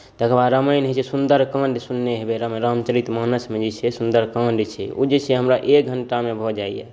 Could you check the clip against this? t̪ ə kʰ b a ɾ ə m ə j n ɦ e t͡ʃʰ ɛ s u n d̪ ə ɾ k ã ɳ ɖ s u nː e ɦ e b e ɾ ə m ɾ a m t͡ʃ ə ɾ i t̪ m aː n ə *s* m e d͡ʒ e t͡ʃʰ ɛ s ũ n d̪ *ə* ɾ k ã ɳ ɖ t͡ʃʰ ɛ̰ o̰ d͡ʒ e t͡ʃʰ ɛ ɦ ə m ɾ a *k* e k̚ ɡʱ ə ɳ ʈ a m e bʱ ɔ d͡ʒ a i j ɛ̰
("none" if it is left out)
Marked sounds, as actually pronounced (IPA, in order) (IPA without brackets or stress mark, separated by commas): s, ə, ʔ